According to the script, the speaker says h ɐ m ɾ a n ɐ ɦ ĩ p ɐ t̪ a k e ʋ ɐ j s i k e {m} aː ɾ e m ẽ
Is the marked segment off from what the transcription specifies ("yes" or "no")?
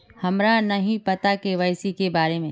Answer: yes